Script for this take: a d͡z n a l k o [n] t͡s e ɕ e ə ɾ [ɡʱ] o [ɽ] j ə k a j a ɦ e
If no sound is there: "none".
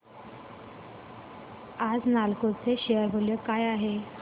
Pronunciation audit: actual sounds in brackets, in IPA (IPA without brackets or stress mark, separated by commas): none, bʱ, l